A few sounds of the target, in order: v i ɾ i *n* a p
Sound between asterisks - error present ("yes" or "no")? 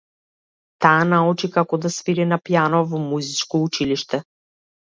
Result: no